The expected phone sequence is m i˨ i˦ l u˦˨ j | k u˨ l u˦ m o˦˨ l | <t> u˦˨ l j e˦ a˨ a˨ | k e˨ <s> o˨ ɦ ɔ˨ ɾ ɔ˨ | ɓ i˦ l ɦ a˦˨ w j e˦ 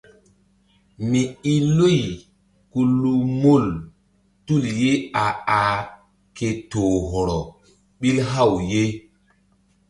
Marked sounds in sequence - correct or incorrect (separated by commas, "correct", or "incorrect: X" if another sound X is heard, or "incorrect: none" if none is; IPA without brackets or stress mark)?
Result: correct, incorrect: t